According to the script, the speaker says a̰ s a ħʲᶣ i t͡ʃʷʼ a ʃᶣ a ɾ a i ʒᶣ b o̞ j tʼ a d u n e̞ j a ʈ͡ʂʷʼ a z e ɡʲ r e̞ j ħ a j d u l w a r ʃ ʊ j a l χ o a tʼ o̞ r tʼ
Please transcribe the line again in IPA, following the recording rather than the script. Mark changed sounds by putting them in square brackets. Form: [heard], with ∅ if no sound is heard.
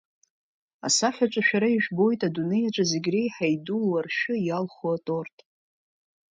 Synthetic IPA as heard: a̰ s a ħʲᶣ [a] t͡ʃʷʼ a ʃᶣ a ɾ a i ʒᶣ b o̞ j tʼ a d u n e̞ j a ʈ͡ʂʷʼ a z e ɡʲ r e̞ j ħ a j d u l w a r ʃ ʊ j a l χ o a tʼ o̞ r tʼ